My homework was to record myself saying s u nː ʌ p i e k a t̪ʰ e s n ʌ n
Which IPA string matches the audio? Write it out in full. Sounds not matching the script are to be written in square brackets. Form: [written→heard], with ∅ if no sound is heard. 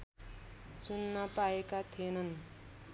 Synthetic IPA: s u nː ʌ p [i→a] e k a t̪ʰ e [s→∅] n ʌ n

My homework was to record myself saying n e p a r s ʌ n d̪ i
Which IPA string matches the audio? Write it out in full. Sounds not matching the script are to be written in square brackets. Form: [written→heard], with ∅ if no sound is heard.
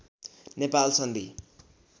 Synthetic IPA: n e p a [r→l] s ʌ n d̪ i

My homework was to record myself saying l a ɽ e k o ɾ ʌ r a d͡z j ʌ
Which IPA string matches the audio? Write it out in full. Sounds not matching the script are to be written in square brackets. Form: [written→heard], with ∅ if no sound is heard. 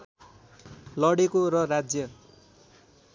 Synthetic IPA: l [a→ʌ] ɽ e k o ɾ ʌ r a d͡z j ʌ

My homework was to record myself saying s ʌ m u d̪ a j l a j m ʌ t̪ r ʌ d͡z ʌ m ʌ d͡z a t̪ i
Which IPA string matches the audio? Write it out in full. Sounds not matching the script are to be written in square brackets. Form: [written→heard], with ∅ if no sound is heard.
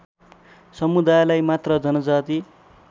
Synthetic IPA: s ʌ m u d̪ a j l a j m [ʌ→a] t̪ r ʌ d͡z ʌ [m→n] ʌ d͡z a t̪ i

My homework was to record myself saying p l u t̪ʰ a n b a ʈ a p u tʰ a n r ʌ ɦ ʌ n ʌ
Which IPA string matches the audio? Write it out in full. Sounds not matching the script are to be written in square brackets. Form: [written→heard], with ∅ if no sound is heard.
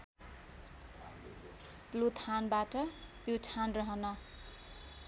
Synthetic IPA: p l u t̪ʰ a n b a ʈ [a→ʌ] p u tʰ a n r ʌ ɦ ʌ n ʌ

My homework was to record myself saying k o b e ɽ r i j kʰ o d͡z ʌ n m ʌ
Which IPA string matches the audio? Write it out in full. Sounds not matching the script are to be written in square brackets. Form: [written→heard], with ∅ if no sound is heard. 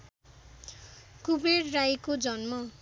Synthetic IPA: k [o→u] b e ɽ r [i→a] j [kʰ→k] o d͡z ʌ n m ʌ

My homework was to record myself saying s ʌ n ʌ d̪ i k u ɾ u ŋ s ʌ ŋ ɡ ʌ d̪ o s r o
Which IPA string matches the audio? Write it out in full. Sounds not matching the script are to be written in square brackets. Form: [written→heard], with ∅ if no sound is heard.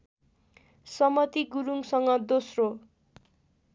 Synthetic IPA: s ʌ [n→m] ʌ [d̪→t̪] i [k→ɡ] u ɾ u ŋ s ʌ ŋ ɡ ʌ d̪ o s r o

